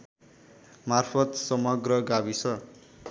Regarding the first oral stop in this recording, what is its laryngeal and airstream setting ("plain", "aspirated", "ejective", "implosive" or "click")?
aspirated